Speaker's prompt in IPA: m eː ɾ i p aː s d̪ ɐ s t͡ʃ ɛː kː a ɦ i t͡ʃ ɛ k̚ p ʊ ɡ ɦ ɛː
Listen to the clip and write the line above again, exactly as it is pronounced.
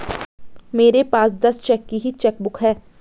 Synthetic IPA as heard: m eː ɾ e p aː s d̪ ɐ s t͡ʃ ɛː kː i ɦ i t͡ʃ ɛ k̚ b ʊ k ɦ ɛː